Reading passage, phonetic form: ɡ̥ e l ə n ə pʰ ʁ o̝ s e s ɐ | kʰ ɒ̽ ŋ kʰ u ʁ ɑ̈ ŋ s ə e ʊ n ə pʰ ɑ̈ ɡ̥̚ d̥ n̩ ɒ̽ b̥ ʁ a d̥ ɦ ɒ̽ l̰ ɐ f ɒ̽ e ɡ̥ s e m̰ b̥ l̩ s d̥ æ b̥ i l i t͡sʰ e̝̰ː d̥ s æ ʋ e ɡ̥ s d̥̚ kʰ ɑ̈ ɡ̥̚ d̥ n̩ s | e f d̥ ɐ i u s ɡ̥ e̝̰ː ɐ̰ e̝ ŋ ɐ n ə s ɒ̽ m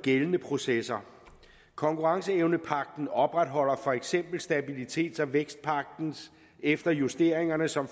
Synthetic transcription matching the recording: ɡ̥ e l ə n ə pʰ ʁ o̝ s e s ɐ | kʰ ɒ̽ ŋ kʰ u ʁ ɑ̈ ŋ s ə e ʊ n ə pʰ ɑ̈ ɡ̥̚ d̥ n̩ ɒ̽ b̥ ʁ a d̥ ɦ ɒ̽ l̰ ɐ f ɒ̽ e ɡ̥ s e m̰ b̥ l̩ s d̥ æ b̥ i l i t͡sʰ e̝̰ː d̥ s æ ʋ e ɡ̥ s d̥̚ pʰ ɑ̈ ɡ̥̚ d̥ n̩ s | e f d̥ ɐ j u s d̥ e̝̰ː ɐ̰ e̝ ŋ ɐ n ə s ɒ̽ m